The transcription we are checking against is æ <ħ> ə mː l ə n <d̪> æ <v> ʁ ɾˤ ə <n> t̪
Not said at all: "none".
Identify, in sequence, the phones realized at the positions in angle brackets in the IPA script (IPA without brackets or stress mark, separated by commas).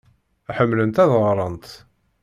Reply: ħ, t̪, ð, n